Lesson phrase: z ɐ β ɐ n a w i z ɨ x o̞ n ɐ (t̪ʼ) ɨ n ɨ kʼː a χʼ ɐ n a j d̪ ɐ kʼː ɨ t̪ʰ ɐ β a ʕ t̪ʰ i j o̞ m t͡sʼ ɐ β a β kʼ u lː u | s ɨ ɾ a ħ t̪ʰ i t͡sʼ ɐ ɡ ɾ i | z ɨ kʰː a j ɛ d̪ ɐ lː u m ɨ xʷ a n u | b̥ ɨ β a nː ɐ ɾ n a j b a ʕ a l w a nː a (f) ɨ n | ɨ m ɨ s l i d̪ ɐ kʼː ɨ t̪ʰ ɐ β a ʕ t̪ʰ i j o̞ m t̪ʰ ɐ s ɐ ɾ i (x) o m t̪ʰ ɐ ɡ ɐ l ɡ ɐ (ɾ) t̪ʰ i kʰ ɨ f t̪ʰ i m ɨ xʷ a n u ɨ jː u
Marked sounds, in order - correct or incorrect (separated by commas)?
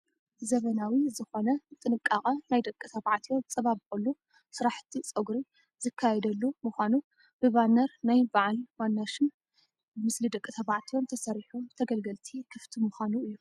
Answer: correct, incorrect, incorrect, incorrect